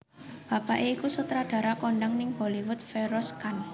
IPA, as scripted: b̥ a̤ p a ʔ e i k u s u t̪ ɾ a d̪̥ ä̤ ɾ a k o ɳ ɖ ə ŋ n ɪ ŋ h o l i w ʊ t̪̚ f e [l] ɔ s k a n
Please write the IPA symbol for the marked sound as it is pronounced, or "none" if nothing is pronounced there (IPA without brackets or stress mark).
ɾ